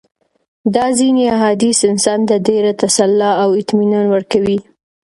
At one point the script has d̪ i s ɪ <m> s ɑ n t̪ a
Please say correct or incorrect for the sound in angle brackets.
incorrect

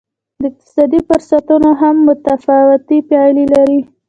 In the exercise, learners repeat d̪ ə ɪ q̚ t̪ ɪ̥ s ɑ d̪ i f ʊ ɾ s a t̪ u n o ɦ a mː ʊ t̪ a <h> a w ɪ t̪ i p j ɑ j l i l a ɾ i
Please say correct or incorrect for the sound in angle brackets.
incorrect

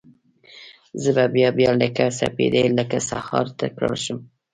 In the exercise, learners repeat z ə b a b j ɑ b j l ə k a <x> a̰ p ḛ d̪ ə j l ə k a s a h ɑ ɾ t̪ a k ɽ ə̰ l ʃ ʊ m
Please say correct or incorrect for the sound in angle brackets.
incorrect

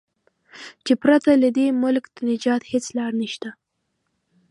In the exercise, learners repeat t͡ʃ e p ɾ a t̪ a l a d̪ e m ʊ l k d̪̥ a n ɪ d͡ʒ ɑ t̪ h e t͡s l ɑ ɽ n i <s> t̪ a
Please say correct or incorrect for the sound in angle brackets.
incorrect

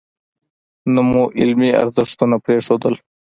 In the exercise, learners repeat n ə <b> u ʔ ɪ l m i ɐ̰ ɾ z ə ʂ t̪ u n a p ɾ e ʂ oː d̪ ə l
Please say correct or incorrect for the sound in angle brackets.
incorrect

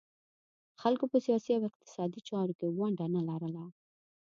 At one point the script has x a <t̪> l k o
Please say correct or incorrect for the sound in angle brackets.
incorrect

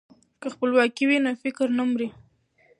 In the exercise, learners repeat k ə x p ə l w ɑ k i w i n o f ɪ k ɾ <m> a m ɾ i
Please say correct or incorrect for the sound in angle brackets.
incorrect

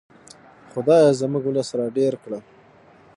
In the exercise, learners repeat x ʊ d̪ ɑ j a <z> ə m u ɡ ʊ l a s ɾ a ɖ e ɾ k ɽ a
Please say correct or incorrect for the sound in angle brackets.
correct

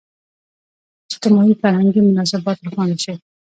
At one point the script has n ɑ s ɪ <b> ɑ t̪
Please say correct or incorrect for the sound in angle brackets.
correct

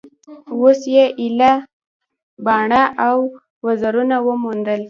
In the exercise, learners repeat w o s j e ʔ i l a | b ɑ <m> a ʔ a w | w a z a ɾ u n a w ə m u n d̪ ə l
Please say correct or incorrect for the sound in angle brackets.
incorrect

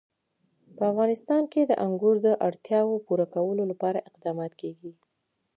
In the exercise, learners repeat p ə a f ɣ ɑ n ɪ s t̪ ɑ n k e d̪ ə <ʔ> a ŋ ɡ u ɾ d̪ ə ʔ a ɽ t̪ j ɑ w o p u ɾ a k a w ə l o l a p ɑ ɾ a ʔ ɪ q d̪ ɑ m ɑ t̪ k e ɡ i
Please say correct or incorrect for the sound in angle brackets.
correct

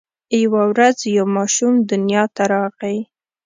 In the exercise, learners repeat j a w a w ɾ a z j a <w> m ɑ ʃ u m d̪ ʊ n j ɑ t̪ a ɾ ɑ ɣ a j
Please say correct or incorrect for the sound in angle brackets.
correct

